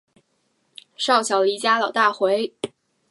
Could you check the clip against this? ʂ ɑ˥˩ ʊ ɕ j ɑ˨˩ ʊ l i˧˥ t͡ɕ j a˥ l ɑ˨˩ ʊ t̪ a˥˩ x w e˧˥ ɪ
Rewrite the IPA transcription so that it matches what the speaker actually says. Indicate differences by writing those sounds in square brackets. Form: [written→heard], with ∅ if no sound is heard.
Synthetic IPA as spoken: ʂ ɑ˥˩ ʊ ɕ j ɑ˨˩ ʊ l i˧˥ t͡ɕ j a˥ l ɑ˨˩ ʊ t̪ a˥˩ x w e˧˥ ɪ